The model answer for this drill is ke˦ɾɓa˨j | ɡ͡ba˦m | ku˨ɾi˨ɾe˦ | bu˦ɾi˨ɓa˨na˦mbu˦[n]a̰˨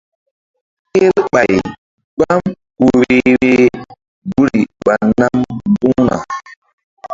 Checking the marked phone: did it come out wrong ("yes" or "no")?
no